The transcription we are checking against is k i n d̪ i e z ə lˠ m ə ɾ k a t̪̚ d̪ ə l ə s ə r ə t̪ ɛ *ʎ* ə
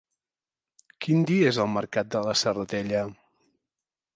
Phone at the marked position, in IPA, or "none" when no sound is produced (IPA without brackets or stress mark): ʎ